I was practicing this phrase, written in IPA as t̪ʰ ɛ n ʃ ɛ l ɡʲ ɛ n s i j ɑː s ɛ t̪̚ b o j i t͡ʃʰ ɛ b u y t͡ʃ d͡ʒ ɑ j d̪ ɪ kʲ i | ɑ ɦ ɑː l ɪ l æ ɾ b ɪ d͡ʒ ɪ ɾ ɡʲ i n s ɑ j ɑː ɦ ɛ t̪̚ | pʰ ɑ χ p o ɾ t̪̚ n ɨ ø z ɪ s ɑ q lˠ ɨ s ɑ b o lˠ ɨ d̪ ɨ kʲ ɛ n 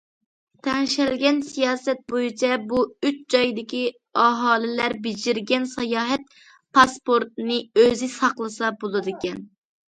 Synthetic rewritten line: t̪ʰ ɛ ŋ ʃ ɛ l ɡʲ ɛ n s i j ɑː s ɛ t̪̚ b o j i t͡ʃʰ ɛ b u y t͡ʃ d͡ʒ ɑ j d̪ ɪ kʲ i | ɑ ɦ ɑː l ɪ l æ ɾ b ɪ d͡ʒ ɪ ɾ ɡʲ ɛ n s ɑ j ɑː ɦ ɛ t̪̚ | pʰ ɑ s p o ɾ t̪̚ n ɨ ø z ɪ s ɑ q lˠ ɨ s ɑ b o lˠ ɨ d̪ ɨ kʲ ɛ n